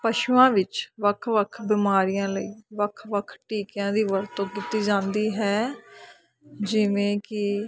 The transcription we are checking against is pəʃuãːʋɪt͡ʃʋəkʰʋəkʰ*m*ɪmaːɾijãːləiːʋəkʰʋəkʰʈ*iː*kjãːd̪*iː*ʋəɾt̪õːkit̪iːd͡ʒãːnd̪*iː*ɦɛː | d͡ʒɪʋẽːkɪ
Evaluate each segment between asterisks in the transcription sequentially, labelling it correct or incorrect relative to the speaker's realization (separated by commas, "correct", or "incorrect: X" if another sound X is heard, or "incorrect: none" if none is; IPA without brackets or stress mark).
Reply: incorrect: b, correct, correct, correct